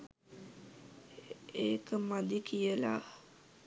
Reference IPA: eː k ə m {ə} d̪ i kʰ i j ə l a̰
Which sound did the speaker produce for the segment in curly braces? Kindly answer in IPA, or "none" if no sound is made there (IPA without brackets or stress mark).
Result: a